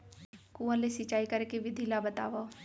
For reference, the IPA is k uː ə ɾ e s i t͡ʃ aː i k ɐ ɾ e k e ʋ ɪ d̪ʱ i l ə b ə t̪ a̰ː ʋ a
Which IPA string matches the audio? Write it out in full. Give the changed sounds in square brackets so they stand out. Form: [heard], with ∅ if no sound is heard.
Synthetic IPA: k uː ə [l] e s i t͡ʃ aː i k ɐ ɾ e k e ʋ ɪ d̪ʱ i l [a] b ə t̪ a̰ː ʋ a

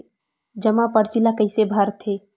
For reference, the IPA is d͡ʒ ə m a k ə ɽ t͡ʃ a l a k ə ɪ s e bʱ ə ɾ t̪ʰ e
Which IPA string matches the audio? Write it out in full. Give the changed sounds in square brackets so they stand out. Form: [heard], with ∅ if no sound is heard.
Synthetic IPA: d͡ʒ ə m a [p] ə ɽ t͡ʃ [i] l a k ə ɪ s e bʱ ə ɾ t̪ʰ e

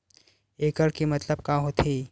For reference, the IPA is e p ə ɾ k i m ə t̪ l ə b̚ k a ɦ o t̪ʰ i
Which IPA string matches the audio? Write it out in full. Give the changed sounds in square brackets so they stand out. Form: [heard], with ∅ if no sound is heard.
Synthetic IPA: e [k] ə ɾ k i m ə t̪ l ə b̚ k a ɦ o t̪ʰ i

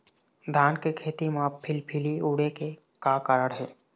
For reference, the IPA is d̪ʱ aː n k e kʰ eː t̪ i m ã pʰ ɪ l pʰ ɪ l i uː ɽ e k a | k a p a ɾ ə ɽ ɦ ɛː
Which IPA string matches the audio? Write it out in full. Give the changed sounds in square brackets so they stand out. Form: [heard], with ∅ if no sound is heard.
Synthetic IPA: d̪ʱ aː n k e kʰ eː t̪ i m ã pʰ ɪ l pʰ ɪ l i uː ɽ e k [e] | k a [k] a ɾ ə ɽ ɦ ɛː

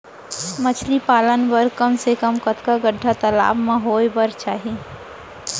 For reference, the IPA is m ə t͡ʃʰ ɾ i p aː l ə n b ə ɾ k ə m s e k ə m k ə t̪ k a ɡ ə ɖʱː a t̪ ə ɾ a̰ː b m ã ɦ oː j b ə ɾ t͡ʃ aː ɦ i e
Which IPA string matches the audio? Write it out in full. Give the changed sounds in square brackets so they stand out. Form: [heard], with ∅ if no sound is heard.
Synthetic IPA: m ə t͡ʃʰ [l] i p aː l ə n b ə ɾ k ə m s e k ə m k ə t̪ k a ɡ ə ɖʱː a t̪ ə [l] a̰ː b m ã ɦ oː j b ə ɾ t͡ʃ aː ɦ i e

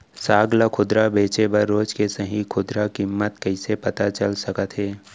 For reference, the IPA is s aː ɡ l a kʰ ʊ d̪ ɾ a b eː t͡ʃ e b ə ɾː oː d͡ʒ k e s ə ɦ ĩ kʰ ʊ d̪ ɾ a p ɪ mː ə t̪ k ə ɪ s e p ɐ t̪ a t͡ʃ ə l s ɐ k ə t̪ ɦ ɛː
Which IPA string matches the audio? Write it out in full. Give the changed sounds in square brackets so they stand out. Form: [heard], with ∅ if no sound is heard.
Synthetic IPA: s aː ɡ l a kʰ ʊ d̪ ɾ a b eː t͡ʃ e b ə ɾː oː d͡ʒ k e s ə ɦ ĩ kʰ ʊ d̪ ɾ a [k] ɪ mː ə t̪ k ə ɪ s e p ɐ t̪ a t͡ʃ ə l s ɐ k ə t̪ ɦ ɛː

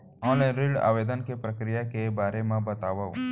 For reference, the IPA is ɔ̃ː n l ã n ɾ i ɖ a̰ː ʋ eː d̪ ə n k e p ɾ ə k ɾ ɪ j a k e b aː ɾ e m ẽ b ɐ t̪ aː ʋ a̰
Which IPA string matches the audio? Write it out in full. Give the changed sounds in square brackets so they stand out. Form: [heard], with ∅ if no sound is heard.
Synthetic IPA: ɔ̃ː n l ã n ɾ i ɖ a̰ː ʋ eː d̪ ə n k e p ɾ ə k ɾ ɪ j a k e b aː ɾ e m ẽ b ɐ t̪ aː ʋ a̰

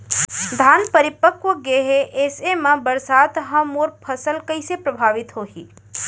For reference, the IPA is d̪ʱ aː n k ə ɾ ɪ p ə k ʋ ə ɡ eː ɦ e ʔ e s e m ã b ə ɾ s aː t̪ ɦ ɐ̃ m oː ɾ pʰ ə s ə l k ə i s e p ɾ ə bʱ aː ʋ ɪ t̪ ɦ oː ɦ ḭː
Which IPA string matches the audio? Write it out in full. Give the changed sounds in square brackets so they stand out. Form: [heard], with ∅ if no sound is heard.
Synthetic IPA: d̪ʱ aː n [p] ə ɾ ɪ p ə k ʋ ə ɡ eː ɦ e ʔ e s e m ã b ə ɾ s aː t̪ ɦ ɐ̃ m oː ɾ pʰ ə s ə l k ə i s e p ɾ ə bʱ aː ʋ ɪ t̪ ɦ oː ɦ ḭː

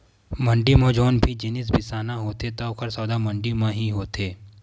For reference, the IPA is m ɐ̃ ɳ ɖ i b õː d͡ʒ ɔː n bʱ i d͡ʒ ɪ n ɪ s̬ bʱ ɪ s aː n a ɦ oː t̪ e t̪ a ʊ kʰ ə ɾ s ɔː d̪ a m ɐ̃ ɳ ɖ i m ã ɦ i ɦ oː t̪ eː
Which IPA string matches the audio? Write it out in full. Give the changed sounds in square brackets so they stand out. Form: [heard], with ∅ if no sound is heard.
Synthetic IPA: m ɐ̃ ɳ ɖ i [m] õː d͡ʒ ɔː n bʱ i d͡ʒ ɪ n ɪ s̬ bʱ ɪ s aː n a ɦ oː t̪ e t̪ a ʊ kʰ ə ɾ s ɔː d̪ a m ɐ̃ ɳ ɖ i m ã ɦ i ɦ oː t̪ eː

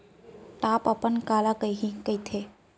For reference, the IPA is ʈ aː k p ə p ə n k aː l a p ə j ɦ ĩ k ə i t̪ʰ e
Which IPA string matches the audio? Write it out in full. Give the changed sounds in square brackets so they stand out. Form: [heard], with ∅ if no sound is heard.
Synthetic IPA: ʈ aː [∅] p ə p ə n k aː l a [k] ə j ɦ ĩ k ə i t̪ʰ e

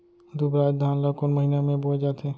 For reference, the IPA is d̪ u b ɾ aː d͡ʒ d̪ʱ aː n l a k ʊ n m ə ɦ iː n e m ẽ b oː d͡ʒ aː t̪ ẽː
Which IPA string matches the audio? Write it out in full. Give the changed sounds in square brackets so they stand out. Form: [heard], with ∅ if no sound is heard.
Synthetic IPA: d̪ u b ɾ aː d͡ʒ d̪ʱ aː n l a k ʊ n m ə ɦ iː n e m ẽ b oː d͡ʒ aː t̪ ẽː

